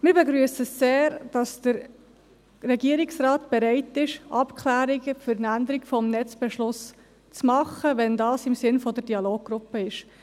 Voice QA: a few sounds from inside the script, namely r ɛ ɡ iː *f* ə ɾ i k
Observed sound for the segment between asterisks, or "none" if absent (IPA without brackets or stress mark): none